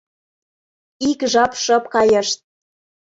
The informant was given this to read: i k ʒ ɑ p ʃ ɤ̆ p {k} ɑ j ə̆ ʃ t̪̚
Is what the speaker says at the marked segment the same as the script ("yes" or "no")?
yes